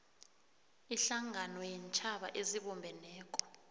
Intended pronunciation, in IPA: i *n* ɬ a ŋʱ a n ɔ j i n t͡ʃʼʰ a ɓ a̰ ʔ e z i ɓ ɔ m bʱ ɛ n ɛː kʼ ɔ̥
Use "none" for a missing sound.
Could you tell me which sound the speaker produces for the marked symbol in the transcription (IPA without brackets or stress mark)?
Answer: none